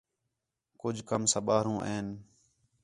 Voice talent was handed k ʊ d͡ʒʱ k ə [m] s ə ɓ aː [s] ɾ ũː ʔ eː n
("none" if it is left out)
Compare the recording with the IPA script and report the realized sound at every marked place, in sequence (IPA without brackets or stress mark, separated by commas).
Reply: m, none